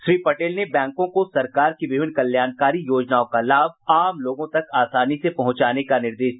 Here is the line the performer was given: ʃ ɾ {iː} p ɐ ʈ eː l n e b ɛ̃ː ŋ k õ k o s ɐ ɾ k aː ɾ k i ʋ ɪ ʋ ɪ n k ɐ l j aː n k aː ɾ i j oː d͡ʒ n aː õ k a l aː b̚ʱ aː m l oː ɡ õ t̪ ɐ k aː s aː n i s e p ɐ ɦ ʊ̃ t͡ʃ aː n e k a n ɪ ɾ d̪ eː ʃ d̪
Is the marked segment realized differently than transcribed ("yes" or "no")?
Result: no